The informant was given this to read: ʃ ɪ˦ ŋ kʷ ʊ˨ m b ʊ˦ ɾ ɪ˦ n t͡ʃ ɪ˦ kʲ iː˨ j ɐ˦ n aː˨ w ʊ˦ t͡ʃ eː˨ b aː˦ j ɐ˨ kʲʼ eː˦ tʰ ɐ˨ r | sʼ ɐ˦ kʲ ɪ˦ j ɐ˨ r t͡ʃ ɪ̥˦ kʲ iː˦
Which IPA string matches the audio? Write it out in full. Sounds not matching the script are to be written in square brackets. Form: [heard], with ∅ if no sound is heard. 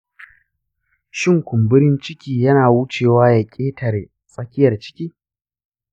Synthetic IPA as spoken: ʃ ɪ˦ ŋ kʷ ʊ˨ m b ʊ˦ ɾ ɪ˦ n t͡ʃ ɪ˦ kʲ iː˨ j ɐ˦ n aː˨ w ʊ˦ t͡ʃ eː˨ [w] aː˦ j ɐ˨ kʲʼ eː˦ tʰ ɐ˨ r | sʼ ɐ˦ kʲ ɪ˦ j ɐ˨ r t͡ʃ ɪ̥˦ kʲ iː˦